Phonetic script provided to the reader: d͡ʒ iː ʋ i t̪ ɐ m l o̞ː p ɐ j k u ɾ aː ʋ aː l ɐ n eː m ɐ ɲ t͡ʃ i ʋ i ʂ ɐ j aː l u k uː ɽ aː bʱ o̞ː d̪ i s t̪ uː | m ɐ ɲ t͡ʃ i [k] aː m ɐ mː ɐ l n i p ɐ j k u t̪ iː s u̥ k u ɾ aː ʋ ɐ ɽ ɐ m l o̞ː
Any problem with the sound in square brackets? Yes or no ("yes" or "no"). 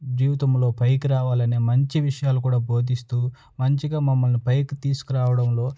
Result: yes